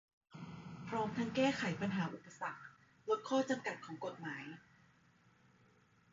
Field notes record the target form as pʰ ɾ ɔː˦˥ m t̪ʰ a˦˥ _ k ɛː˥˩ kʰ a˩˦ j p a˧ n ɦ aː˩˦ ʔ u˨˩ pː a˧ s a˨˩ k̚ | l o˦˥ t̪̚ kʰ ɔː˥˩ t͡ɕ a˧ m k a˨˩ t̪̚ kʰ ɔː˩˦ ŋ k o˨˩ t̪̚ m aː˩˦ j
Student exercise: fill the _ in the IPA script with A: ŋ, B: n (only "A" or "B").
A